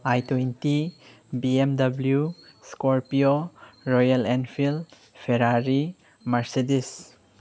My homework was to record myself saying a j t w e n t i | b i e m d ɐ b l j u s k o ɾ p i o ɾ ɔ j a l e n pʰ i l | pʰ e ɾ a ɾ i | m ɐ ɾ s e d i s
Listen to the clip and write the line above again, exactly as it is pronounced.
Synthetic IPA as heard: a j t w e n t i | b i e m d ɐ b l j u s k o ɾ p i o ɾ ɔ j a l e n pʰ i l | pʰ e ɾ a ɾ i | m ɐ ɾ s e d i s